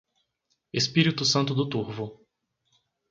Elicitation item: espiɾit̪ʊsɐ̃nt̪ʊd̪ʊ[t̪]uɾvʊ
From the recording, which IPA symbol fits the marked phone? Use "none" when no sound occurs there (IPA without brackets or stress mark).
t̪